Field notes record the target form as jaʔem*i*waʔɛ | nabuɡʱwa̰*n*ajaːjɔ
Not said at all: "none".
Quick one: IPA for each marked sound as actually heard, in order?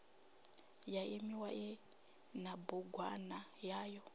i, n

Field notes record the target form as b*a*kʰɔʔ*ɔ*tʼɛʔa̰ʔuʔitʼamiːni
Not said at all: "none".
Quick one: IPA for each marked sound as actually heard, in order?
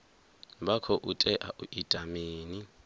a, u

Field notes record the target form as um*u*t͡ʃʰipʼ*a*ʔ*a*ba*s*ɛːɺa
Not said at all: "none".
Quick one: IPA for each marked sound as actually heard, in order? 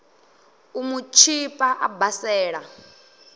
u, a, a, s

